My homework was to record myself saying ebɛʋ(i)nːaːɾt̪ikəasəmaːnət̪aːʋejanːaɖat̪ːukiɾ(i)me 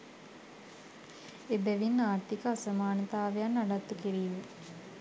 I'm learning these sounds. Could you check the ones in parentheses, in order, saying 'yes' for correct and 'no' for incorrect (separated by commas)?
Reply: yes, no